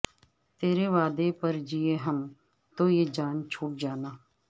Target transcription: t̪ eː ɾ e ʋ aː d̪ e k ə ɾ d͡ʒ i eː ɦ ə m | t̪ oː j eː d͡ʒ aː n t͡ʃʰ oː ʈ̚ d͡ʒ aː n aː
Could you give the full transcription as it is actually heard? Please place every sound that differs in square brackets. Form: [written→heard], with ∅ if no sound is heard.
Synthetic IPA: t̪ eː ɾ e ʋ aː d̪ e [k→p] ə ɾ d͡ʒ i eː ɦ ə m | t̪ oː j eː d͡ʒ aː n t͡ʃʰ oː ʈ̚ d͡ʒ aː n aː